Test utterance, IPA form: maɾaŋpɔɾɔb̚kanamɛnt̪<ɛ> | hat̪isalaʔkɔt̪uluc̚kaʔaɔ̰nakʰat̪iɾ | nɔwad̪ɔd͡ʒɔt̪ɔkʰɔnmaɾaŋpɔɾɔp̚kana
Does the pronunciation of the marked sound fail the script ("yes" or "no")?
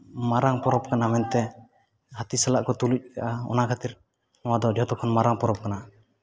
no